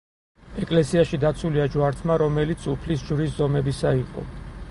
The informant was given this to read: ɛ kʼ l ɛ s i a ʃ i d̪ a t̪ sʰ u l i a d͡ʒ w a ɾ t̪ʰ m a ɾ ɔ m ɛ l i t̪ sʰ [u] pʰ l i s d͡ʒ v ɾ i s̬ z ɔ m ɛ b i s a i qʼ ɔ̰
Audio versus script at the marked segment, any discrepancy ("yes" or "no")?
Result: no